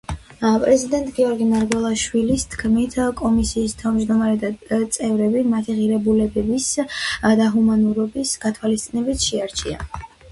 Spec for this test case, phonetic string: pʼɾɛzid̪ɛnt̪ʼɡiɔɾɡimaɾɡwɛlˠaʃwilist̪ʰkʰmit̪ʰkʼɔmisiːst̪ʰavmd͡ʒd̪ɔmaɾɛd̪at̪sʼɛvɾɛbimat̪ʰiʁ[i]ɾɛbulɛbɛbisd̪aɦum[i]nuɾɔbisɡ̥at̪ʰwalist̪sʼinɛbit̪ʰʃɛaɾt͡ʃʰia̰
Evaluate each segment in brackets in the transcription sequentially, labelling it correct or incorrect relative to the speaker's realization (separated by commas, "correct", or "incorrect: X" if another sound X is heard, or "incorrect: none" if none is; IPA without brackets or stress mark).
correct, incorrect: a